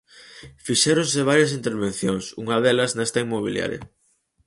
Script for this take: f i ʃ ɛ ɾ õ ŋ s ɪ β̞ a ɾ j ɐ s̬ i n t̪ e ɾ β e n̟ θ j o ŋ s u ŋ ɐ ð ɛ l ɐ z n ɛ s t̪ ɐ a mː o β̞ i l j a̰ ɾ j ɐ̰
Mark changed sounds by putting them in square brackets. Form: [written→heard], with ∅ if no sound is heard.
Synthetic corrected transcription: f i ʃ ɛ ɾ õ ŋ s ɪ β̞ a ɾ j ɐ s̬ i n t̪ e ɾ β e n̟ θ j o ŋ s u ŋ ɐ ð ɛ l ɐ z n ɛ s t̪ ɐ [a→i] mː o β̞ i l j a̰ ɾ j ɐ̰